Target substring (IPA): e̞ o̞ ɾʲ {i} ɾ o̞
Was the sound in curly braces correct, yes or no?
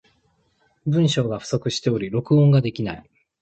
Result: yes